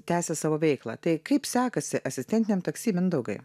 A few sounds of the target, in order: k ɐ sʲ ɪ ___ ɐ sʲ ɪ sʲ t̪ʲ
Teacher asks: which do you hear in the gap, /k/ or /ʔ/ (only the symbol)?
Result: ʔ